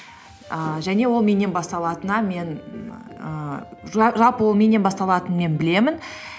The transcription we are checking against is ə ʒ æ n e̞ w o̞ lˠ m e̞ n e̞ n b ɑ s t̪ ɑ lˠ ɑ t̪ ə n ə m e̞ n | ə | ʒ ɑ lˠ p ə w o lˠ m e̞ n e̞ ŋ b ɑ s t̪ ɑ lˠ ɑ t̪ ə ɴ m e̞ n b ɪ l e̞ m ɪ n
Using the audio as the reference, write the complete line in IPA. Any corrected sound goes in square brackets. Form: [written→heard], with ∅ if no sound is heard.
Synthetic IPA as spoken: ə ʒ æ n e̞ w o̞ lˠ m e̞ n e̞ n b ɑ s t̪ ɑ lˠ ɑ t̪ ə n [ə→ɑ] m e̞ n | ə | ʒ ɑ lˠ p ə w o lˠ m e̞ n e̞ [ŋ→n] b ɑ s t̪ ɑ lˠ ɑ t̪ ə [ɴ→n] m e̞ n b ɪ l e̞ m ɪ n

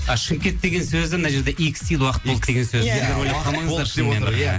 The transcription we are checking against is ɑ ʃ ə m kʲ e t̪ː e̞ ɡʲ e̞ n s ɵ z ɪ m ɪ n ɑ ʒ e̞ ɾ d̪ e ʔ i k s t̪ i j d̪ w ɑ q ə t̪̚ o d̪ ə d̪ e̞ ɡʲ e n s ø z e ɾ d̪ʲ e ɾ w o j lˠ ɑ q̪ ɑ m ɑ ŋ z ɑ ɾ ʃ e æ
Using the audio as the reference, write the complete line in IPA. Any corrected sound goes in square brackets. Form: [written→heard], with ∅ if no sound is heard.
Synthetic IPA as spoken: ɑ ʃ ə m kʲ e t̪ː e̞ ɡʲ e̞ n s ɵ z ɪ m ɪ n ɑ ʒ e̞ ɾ d̪ e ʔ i k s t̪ i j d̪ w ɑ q ə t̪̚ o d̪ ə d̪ e̞ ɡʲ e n s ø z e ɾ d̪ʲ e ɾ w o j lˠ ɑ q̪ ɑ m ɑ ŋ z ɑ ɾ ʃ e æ

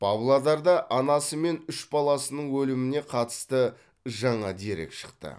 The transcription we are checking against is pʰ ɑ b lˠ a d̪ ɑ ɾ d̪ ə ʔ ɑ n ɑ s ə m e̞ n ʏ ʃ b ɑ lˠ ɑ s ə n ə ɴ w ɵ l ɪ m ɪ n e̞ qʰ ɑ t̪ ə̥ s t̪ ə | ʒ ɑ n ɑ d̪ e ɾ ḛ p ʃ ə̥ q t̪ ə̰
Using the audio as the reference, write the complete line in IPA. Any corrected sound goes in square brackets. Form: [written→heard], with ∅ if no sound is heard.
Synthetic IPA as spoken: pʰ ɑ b lˠ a d̪ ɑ ɾ d̪ [ə→ɑ] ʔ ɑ n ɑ s ə m e̞ n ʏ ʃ b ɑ lˠ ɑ s ə n ə ɴ w ɵ l ɪ m ɪ n e̞ qʰ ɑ t̪ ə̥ s t̪ ə | ʒ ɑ [n→ɴ] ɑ d̪ e ɾ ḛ [p→k] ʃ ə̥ q t̪ ə̰

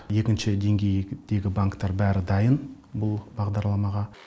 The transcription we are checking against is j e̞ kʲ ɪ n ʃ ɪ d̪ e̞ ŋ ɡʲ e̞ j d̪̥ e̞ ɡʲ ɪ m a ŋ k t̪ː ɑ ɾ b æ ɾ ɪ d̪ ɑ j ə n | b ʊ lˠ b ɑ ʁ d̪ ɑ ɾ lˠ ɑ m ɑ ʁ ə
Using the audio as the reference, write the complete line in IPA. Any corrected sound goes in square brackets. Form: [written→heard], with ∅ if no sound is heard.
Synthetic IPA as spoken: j e̞ kʲ ɪ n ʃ ɪ d̪ e̞ ŋ ɡʲ e̞ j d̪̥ e̞ ɡʲ ɪ [m→b] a ŋ k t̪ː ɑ ɾ b æ ɾ ɪ d̪ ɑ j ə n | b ʊ lˠ b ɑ ʁ d̪ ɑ ɾ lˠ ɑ m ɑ ʁ [ə→ɑ]

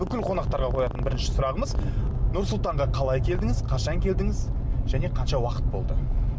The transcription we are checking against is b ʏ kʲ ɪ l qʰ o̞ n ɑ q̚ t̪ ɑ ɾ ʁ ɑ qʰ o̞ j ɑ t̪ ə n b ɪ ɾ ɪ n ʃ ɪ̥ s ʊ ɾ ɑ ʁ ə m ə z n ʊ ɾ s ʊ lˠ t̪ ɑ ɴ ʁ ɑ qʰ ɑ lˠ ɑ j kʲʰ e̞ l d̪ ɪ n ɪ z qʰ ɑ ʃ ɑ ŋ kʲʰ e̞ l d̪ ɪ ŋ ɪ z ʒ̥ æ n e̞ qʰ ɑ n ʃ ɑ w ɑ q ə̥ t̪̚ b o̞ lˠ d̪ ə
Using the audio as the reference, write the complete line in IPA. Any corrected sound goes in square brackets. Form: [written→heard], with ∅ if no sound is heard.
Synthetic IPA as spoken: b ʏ kʲ ɪ l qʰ o̞ n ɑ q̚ t̪ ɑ ɾ ʁ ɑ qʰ o̞ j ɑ t̪ ə n b ɪ ɾ ɪ n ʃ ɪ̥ s ʊ ɾ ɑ ʁ ə m ə z n ʊ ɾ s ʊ lˠ t̪ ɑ ɴ ʁ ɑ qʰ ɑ lˠ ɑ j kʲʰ e̞ l d̪ ɪ [n→ŋ] ɪ z qʰ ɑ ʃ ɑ ŋ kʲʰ e̞ l d̪ ɪ ŋ ɪ z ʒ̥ æ n e̞ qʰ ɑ n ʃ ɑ w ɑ q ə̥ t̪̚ b o̞ lˠ d̪ ə

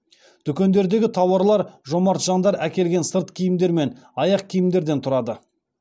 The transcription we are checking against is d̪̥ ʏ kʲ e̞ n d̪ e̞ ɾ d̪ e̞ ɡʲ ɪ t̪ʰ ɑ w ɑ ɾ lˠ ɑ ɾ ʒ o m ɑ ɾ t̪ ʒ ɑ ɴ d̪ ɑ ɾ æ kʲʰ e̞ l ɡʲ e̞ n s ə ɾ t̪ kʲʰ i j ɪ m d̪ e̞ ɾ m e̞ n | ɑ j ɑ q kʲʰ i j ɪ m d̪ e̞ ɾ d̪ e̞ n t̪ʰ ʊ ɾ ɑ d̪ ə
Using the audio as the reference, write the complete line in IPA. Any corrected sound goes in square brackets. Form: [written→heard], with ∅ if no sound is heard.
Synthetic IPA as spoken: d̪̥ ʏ kʲ e̞ n d̪ e̞ ɾ d̪ e̞ ɡʲ ɪ t̪ʰ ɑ w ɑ ɾ lˠ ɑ ɾ ʒ o m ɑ ɾ t̪ ʒ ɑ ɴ d̪ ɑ ɾ æ [kʲʰ→kʲ] e̞ l ɡʲ e̞ n s ə ɾ t̪ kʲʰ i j ɪ m d̪ e̞ ɾ m e̞ n | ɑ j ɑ q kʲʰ i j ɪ m d̪ e̞ ɾ d̪ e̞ n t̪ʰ ʊ ɾ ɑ d̪ ə

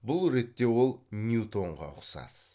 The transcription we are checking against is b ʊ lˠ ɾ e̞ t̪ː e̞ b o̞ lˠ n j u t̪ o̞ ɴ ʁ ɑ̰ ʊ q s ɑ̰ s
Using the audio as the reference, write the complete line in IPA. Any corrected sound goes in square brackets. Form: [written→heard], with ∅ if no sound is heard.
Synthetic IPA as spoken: b ʊ lˠ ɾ e̞ t̪ː e̞ [b→w] o̞ lˠ n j u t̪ o̞ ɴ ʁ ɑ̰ ʊ q s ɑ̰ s

